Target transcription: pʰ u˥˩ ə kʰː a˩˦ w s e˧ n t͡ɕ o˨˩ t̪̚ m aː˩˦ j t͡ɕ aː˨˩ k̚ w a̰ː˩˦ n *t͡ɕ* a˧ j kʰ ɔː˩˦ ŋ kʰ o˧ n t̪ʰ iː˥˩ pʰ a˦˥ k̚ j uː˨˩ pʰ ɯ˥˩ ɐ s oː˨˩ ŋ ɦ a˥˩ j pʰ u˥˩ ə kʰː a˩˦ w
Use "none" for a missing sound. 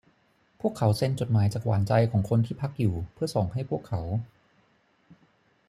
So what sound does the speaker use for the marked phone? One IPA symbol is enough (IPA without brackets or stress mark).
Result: t͡ɕ